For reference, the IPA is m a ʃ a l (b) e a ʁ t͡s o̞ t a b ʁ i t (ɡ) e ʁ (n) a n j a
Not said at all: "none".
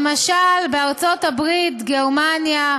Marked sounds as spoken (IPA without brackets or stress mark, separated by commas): b, ɡ, m